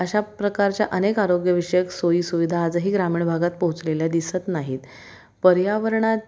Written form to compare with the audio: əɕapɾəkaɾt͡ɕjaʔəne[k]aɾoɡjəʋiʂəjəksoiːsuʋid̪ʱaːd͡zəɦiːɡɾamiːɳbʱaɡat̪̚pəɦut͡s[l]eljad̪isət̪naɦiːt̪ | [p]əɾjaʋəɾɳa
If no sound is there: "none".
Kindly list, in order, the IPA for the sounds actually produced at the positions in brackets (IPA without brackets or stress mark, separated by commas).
k, l, p